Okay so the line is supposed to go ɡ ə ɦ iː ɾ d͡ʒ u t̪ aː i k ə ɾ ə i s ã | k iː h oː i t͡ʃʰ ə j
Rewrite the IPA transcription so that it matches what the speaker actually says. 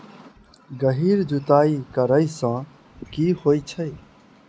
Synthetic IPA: ɡ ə ɦ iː ɾ d͡ʒ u t̪ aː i k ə ɾ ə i s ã | k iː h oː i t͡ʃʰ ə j